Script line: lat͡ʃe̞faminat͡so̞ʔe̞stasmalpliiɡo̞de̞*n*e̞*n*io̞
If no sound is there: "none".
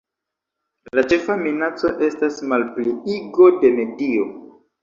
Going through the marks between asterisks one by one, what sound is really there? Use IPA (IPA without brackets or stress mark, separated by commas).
m, d